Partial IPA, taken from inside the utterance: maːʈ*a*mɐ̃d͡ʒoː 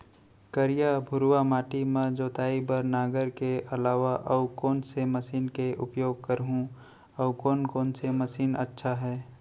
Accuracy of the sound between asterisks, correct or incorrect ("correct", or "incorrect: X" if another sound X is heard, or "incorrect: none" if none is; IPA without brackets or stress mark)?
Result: incorrect: i